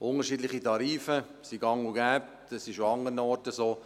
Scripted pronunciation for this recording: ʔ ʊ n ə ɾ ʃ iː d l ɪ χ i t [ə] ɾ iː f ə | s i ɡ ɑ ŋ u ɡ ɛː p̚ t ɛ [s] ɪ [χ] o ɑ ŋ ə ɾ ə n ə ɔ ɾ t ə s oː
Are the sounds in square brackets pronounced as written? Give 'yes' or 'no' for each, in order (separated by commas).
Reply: no, yes, no